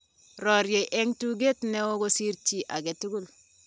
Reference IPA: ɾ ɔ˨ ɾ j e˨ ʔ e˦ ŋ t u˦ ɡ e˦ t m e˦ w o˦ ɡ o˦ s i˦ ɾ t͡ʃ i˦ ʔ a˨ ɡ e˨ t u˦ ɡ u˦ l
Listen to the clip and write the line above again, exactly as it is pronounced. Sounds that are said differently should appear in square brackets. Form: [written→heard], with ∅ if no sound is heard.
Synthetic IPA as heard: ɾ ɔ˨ ɾ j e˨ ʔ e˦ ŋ t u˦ ɡ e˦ t [m→n] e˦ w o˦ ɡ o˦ s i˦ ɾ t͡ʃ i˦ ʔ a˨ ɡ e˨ t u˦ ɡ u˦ l